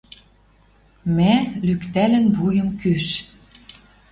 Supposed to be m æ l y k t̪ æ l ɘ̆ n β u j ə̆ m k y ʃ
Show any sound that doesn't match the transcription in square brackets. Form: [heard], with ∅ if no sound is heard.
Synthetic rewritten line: m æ l y k t̪ æ l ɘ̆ n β u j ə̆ m k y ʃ